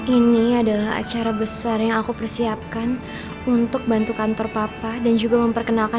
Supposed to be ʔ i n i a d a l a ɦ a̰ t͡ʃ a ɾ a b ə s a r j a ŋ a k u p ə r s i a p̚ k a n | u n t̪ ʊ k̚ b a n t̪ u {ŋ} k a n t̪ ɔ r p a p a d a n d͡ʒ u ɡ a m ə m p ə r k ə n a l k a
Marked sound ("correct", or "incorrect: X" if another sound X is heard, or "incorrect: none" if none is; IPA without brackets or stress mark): incorrect: none